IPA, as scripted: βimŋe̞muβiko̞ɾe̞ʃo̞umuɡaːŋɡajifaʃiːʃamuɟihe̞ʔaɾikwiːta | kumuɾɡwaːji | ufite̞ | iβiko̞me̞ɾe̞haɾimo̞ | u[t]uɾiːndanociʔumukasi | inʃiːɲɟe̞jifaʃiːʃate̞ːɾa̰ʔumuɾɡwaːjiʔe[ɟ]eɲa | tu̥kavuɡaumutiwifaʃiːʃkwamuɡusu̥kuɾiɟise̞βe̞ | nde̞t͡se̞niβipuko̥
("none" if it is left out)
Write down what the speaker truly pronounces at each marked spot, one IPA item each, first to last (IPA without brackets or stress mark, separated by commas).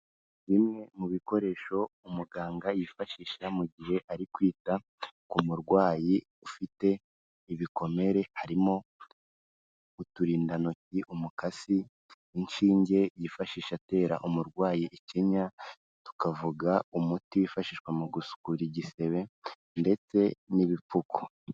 t, c